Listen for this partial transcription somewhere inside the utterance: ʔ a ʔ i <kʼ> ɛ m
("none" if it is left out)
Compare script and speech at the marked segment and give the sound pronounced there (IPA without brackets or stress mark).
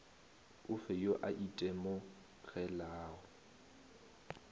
tʼ